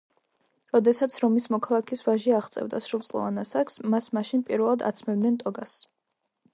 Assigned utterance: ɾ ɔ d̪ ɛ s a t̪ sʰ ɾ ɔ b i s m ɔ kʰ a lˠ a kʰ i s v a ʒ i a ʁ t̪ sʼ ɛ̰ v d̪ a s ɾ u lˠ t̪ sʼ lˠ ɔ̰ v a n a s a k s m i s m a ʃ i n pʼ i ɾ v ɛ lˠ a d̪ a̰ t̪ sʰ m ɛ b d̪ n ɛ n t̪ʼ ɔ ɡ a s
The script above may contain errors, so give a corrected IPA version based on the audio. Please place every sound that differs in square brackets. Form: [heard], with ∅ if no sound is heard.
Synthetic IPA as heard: ɾ ɔ d̪ ɛ s a t̪ sʰ ɾ ɔ [m] i s m ɔ kʰ a lˠ a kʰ i s v a ʒ i a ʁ t̪ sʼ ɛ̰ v d̪ a s ɾ u lˠ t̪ sʼ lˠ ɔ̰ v a n a s a k s m [a] s m a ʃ i n pʼ i ɾ v ɛ lˠ a d̪ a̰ t̪ sʰ m ɛ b d̪ n ɛ n t̪ʼ ɔ ɡ a s